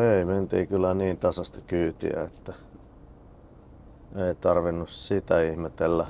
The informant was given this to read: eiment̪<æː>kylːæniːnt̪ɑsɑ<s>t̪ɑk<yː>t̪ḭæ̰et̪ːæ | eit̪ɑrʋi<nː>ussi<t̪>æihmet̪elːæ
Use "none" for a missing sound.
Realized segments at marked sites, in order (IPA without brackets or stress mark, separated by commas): iː, s, yː, nː, t̪